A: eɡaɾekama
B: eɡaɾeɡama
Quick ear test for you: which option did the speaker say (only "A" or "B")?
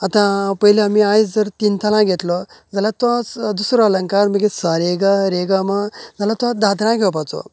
B